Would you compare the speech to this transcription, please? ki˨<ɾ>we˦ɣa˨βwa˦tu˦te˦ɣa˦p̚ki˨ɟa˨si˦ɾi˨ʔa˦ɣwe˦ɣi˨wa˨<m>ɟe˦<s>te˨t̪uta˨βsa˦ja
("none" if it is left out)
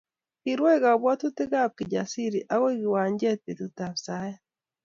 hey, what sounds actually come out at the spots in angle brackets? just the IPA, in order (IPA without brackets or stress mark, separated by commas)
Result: ɾ, ɲ, none